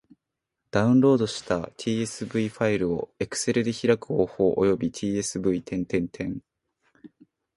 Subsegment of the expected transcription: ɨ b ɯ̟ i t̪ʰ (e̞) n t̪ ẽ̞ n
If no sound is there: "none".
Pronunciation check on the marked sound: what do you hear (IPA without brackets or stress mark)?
ẽ̞